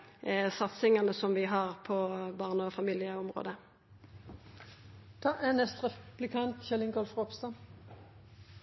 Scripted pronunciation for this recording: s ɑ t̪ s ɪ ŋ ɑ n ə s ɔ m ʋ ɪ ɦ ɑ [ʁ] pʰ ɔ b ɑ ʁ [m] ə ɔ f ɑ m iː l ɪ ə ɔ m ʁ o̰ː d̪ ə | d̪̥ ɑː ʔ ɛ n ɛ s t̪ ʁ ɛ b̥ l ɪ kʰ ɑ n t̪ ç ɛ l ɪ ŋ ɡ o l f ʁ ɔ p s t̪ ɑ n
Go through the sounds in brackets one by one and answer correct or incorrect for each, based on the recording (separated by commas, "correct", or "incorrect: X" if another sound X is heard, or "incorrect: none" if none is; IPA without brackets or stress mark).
correct, incorrect: n